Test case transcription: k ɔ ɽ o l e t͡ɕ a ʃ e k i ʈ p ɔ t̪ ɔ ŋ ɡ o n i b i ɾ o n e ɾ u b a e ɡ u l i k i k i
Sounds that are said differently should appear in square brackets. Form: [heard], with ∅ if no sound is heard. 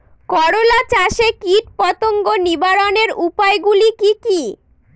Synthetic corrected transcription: k ɔ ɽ o l [a] t͡ɕ a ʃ e k i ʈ p ɔ t̪ [o] ŋ ɡ o n i b [a] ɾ o n e ɾ u [p] a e ɡ u l i k i k i